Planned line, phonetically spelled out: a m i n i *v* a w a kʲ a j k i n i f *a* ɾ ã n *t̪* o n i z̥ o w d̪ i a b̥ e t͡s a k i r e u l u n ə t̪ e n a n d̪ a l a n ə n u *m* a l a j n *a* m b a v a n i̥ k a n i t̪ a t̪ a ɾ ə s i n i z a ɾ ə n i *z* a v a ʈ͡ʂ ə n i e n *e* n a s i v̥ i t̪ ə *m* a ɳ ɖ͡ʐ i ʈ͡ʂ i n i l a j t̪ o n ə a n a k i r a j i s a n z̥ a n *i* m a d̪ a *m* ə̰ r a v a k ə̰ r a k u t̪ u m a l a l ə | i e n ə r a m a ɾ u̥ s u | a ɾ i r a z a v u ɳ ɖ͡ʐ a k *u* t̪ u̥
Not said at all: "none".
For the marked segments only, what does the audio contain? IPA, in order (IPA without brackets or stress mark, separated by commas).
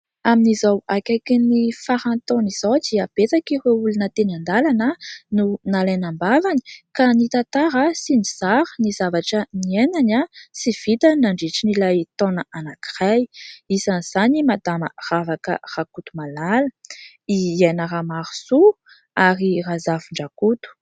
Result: z, a, t̪, n, a, z, a, n, i, m, u